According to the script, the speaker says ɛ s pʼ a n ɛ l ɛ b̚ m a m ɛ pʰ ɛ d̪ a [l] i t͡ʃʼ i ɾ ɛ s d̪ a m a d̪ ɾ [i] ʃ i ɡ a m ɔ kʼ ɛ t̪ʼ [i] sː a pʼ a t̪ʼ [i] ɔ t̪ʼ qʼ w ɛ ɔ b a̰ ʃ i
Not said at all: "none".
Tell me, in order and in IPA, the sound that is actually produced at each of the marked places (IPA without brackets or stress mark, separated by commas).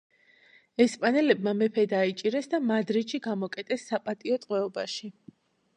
none, i, ɛ, i